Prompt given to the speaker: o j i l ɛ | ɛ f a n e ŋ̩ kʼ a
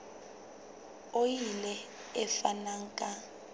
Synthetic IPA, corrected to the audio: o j i l ɛ | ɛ f a n a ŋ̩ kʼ a